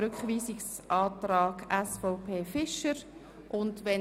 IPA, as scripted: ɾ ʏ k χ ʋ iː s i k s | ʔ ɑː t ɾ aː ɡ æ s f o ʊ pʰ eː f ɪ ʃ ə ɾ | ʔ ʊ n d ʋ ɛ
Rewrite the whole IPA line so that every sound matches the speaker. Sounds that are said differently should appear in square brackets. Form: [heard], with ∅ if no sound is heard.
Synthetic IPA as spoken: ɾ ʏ k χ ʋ iː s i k s | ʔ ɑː t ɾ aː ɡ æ s f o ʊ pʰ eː f ɪ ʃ ə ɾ | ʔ ʊ n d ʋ ɛ